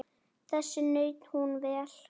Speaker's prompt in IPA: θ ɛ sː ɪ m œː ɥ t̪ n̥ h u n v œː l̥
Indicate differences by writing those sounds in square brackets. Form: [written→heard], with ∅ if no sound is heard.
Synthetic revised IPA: θ ɛ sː ɪ [m→n] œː ɥ t̪ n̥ h u n v [œː→ɛː] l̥